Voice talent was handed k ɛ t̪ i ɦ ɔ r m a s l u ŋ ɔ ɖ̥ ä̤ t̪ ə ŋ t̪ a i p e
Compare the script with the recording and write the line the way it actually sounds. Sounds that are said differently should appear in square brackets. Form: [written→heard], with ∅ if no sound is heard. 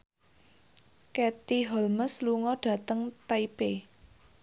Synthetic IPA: k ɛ t̪ i ɦ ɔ [r→l] m [a→ə] s l u ŋ ɔ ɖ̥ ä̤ t̪ ə ŋ t̪ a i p e